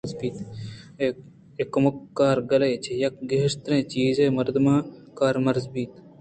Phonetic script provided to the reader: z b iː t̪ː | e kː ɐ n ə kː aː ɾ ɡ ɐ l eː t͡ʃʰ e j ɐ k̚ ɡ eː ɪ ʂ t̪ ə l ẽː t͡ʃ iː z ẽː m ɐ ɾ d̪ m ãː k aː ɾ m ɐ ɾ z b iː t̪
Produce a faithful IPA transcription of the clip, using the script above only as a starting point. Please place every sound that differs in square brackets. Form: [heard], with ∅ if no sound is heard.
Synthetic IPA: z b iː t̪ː | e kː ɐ [m] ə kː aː ɾ ɡ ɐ l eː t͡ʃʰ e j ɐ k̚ ɡ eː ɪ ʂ t̪ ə [ɾ] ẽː t͡ʃ iː z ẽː m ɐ ɾ d̪ m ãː k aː ɾ m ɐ ɾ z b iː t̪

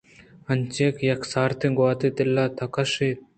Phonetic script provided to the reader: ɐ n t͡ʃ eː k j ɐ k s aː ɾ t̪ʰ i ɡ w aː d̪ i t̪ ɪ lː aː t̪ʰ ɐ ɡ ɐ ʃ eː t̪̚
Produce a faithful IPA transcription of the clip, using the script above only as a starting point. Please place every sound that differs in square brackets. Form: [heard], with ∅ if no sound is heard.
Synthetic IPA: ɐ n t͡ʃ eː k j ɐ k s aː ɾ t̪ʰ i ɡ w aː [t̪] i t̪ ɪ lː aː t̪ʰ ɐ [k] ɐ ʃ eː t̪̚

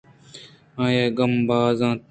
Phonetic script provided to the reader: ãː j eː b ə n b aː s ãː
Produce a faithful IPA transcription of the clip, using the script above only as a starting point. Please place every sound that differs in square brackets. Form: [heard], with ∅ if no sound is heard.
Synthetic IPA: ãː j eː [ɡ] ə [m] b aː [z] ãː

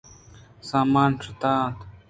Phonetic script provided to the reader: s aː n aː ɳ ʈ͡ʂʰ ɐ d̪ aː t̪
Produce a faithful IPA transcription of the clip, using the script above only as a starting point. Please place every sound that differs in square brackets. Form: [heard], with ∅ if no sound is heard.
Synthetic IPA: s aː [m] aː [n] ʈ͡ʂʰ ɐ [t̪] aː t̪

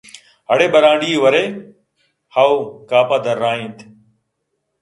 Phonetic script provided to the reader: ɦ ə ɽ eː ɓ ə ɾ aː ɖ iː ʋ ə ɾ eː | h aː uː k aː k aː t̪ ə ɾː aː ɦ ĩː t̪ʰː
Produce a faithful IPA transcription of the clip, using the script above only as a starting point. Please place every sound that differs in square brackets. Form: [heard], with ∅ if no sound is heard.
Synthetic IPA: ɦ ə ɽ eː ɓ ə ɾ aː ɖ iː ʋ ə ɾ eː | h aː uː k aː [p] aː [d̪] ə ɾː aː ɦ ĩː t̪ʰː

